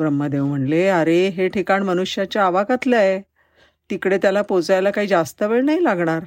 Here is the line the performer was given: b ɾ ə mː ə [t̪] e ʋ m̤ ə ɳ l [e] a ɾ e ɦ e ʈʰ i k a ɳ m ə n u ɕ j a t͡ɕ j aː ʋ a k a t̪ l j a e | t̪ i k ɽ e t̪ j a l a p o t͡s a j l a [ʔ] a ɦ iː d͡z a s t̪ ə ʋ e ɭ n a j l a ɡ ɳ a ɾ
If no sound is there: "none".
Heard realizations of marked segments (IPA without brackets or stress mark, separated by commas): d̪, e, k